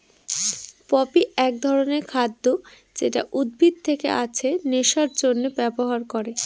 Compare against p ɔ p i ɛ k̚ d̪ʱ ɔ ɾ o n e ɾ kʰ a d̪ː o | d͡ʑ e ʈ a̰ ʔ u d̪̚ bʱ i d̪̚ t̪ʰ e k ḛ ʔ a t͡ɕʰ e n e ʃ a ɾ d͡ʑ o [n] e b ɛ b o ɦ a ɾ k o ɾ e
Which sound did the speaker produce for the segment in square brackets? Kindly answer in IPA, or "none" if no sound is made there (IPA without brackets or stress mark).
nː